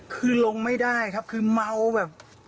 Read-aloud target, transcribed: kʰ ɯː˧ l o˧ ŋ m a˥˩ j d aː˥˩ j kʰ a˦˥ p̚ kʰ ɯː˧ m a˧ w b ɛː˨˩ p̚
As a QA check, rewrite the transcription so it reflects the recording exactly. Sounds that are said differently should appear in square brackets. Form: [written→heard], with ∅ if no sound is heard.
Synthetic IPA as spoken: kʰ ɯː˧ l o˧ ŋ m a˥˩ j d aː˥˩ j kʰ a˦˥ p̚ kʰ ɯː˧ m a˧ w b ɛː˨˩ p̚